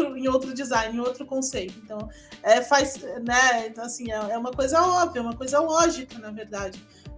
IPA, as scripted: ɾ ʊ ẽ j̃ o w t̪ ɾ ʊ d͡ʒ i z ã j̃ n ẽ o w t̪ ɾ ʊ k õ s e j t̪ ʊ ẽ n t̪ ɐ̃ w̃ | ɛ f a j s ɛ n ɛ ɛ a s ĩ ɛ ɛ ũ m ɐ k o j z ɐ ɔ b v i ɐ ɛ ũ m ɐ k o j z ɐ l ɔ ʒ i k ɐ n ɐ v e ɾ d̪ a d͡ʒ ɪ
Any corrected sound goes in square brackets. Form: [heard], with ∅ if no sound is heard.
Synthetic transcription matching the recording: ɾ ʊ ẽ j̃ o w t̪ ɾ ʊ d͡ʒ i z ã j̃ n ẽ o w t̪ ɾ ʊ k õ s e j t̪ ʊ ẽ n t̪ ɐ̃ w̃ | ɛ f a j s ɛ n ɛ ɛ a s ĩ ɛ ɛ ũ m ɐ k o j z ɐ ɔ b v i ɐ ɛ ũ m ɐ k o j z ɐ l ɔ ʒ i k ɐ n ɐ v e ɾ d̪ a d͡ʒ ɪ